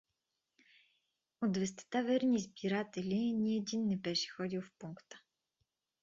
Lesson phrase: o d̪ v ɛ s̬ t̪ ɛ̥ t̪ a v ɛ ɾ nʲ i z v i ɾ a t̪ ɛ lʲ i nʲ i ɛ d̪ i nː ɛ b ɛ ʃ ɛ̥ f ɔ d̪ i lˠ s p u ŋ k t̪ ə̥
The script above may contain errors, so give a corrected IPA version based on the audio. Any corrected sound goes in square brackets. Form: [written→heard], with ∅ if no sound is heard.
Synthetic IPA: o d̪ v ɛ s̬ t̪ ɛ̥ t̪ a v ɛ ɾ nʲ i z [v→b] i ɾ a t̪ ɛ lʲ i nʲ i ɛ d̪ i nː ɛ b ɛ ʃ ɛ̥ [f→x] ɔ d̪ i lˠ [s→f] p u ŋ k t̪ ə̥